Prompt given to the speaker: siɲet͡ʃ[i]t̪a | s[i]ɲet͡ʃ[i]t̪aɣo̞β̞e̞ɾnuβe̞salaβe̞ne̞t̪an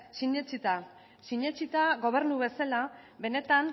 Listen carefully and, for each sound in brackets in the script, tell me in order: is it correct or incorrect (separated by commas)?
correct, correct, correct